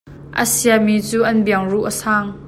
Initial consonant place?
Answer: glottal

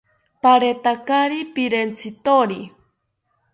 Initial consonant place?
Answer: labial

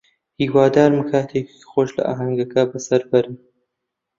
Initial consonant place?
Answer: glottal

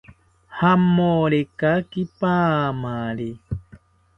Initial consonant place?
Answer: glottal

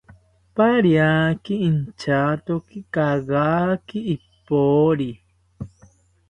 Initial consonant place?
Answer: labial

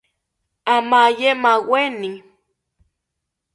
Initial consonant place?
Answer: labial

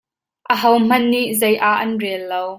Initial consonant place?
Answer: glottal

